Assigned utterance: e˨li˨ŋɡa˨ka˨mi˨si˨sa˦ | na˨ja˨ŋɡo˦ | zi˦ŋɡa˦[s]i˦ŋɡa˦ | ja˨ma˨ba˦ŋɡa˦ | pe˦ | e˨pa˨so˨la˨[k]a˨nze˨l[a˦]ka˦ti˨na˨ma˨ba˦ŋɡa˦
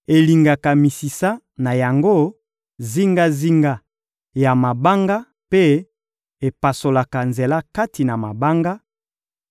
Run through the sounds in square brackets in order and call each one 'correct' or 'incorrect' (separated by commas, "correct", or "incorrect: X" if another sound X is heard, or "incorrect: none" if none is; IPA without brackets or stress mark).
incorrect: z, correct, correct